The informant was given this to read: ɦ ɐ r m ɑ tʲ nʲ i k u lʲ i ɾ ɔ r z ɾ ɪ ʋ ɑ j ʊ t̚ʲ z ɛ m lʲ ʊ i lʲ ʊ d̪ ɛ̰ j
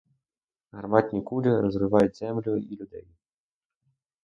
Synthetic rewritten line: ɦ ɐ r m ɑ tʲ nʲ i k u lʲ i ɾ ɔ z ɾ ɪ ʋ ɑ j ʊ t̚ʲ z ɛ m lʲ ʊ i lʲ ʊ d̪ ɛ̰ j